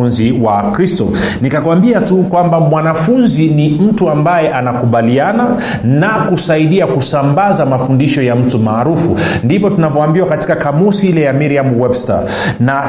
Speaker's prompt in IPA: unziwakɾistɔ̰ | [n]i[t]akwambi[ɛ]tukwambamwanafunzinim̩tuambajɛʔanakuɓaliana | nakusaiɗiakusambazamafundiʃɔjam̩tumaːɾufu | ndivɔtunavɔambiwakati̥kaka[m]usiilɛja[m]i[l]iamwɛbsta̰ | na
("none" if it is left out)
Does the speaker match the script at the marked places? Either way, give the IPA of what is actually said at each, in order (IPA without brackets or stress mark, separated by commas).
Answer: n, k, a, m, m, ɾ